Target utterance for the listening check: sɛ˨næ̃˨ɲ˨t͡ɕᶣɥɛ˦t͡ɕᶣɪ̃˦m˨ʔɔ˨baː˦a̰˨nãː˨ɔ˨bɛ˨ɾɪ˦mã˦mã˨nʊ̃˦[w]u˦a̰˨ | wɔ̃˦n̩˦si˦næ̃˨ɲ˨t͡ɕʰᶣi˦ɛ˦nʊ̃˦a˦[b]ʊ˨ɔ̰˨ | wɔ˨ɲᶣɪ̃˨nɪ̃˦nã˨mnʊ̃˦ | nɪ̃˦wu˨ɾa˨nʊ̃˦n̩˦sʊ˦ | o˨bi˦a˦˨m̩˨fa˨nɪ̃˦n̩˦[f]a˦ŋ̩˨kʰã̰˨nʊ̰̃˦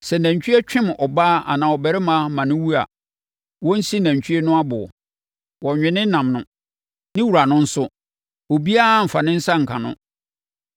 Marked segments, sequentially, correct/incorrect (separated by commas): correct, correct, incorrect